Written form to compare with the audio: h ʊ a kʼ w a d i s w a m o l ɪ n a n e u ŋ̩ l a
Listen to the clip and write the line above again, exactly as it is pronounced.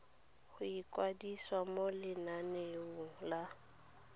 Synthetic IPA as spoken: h ʊ i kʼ w a d i s w a m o l ɪ n a n e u ŋ̩ l a